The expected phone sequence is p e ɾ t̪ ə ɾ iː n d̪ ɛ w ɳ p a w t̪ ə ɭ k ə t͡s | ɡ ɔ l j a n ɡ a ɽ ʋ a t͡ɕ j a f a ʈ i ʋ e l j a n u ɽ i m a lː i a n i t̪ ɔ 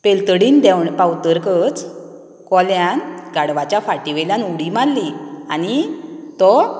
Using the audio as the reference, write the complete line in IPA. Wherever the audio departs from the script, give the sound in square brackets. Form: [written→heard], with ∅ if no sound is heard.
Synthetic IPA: p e [ɾ→l] t̪ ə [ɾ→ɽ] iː n d̪ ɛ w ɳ p a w t̪ ə [ɭ→ɾ] k ə t͡s | [ɡ→k] ɔ l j a n ɡ a ɽ ʋ a t͡ɕ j a f a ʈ i ʋ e l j a n u ɽ i m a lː i a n i t̪ ɔ